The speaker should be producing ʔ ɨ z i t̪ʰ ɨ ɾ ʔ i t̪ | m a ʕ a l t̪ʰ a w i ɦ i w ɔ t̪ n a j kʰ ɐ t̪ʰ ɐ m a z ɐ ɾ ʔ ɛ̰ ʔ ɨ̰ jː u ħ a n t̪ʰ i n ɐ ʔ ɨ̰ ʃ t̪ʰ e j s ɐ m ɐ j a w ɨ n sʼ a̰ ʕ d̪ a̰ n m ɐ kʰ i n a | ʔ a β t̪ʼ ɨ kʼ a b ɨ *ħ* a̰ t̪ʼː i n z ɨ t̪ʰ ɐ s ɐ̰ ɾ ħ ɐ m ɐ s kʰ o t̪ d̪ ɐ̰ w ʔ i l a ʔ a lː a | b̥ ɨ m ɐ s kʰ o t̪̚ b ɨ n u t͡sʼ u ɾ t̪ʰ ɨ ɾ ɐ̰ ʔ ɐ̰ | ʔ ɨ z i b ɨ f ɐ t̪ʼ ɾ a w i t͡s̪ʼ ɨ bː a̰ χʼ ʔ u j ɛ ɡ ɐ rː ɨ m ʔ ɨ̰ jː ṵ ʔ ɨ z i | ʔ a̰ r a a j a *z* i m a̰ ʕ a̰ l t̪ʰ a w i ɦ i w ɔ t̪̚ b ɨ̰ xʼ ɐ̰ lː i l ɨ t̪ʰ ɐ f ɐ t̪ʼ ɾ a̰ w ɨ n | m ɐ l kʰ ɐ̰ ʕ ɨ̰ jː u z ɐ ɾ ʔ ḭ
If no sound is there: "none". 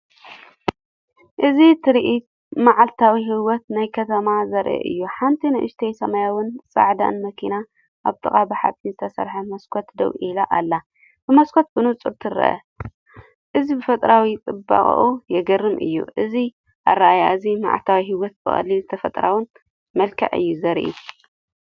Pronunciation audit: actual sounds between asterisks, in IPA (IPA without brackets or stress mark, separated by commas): ħ, z